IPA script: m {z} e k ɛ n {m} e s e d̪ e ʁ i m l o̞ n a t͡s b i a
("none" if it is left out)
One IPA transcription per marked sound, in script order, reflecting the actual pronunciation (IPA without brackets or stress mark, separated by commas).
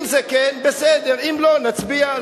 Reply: z, b